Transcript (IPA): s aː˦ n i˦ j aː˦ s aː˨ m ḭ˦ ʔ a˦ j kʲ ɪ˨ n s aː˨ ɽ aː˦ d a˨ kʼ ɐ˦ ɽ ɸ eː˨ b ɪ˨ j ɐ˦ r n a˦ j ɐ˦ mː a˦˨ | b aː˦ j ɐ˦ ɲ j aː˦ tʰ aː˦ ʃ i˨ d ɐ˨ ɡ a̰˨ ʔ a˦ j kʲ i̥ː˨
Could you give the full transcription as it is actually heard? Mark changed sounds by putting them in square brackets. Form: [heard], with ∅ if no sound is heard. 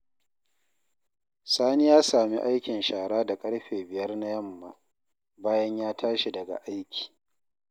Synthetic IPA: s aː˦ n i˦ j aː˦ s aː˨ m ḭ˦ ʔ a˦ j kʲ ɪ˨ n [ʃ] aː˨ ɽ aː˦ d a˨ kʼ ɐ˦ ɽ ɸ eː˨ b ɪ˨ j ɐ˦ r n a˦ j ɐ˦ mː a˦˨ | b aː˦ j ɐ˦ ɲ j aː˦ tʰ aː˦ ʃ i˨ d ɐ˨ ɡ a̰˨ ʔ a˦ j kʲ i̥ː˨